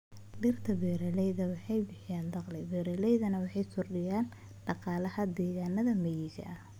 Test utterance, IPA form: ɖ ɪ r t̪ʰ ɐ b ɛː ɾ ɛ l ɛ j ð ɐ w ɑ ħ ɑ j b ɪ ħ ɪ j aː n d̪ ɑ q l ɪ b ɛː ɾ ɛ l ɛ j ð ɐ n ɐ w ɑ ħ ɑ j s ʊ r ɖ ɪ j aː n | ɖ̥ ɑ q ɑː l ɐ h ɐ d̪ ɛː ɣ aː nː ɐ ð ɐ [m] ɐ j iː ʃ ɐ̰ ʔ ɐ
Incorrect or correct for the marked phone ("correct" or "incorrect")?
correct